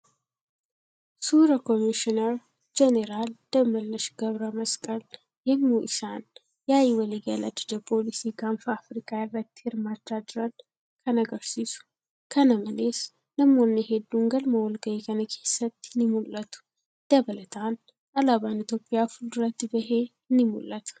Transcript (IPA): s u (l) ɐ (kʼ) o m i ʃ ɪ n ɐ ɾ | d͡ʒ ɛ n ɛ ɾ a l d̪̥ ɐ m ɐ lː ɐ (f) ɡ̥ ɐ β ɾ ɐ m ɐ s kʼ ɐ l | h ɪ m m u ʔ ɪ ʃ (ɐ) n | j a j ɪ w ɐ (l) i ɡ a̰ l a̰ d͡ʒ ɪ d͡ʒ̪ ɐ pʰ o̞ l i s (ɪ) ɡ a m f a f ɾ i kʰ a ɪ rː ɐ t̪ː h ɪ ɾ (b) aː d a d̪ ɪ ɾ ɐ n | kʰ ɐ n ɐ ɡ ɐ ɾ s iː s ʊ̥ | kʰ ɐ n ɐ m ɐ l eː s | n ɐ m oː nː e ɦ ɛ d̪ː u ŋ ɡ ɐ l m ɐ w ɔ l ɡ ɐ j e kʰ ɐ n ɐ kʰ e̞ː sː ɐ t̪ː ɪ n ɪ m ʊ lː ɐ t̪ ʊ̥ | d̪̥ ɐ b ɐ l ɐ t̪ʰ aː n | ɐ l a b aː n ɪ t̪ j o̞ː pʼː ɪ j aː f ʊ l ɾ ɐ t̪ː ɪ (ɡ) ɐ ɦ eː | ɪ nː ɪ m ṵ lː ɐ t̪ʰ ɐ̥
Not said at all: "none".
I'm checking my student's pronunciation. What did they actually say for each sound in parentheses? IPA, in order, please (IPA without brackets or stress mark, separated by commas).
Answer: ɾ, k, ʃ, a, l, i, m, b